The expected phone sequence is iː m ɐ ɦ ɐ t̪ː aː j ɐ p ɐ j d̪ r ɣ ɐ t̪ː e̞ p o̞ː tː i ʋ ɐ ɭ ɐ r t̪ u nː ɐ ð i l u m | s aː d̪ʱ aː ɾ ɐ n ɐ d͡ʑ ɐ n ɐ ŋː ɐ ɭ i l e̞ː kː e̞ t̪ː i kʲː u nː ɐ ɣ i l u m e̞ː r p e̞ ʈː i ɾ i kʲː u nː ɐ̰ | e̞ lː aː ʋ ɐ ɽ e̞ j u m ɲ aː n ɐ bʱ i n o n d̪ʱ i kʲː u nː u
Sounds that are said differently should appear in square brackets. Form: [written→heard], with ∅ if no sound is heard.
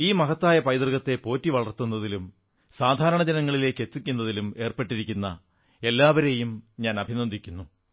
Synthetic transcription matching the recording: iː m ɐ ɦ ɐ t̪ː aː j ɐ p ɐ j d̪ r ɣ ɐ t̪ː e̞ p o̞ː tː i ʋ ɐ ɭ ɐ r t̪ u nː ɐ ð i l u m | s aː d̪ʱ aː ɾ ɐ [n→ɳ] ɐ d͡ʑ ɐ n ɐ ŋː ɐ ɭ i l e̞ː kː e̞ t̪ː i kʲː u nː ɐ [ɣ→ð] i l u m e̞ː r p e̞ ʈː i ɾ i kʲː u nː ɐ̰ | e̞ lː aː ʋ ɐ [ɽ→ɾ] e̞ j u m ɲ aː n ɐ bʱ i n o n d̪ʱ i kʲː u nː u